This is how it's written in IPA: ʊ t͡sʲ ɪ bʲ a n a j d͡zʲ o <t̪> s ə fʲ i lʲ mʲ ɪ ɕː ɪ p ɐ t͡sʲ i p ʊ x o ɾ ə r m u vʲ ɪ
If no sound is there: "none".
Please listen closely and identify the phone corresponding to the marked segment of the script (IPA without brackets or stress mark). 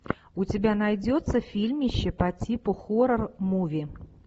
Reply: t̪